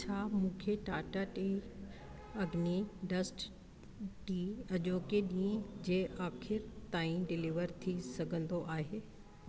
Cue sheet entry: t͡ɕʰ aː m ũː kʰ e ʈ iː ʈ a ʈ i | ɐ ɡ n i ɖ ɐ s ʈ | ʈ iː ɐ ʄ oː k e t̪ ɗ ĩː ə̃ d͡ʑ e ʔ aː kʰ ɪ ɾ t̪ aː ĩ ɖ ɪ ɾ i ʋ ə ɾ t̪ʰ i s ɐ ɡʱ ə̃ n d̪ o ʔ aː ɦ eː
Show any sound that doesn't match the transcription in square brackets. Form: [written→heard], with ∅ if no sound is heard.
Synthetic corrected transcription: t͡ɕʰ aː m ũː kʰ e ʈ [iː→aː] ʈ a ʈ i | ɐ ɡ n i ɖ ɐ s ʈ | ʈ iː ɐ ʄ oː k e [t̪→∅] ɗ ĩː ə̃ d͡ʑ e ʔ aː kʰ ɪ ɾ t̪ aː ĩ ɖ ɪ [ɾ→l] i ʋ ə ɾ t̪ʰ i s ɐ ɡʱ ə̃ n d̪ o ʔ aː ɦ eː